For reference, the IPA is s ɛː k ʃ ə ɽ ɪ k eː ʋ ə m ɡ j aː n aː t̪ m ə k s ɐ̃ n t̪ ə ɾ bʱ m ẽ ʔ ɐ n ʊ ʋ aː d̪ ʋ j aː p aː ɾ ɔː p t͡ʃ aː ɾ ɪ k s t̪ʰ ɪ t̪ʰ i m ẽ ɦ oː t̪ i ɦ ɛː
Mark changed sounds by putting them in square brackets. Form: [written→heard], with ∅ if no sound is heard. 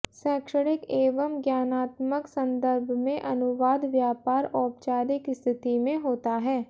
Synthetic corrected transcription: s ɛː k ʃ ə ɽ ɪ k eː ʋ ə m ɡ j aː n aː t̪ m ə k s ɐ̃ n [t̪→d̪] ə ɾ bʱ m ẽ ʔ ɐ n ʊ ʋ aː d̪ ʋ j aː p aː ɾ ɔː p t͡ʃ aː ɾ ɪ k s t̪ʰ ɪ [t̪ʰ→t̪] i m ẽ ɦ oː t̪ [i→a] ɦ ɛː